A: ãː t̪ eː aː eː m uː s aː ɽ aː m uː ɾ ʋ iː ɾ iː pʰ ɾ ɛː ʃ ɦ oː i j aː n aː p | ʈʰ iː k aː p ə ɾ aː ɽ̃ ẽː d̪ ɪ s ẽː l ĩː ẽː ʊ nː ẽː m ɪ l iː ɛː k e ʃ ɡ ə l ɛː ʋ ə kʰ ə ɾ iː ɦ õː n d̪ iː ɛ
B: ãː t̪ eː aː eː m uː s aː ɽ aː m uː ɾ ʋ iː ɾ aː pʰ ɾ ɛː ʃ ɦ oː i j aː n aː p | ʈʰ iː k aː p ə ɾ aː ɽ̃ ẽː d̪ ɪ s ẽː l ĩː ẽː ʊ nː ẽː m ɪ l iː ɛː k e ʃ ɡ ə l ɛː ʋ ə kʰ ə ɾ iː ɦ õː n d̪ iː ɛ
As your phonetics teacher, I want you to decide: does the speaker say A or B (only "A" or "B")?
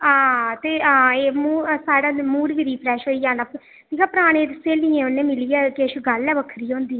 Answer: A